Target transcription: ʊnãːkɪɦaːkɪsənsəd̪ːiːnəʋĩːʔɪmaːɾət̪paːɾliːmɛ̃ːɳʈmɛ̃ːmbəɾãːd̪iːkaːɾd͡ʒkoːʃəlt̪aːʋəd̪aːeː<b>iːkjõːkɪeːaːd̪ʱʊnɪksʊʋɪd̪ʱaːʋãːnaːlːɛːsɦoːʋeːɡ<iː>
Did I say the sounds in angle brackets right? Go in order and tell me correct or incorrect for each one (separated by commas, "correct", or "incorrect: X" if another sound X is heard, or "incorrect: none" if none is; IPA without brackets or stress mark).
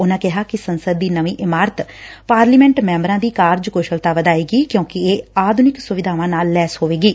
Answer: incorrect: ɡ, correct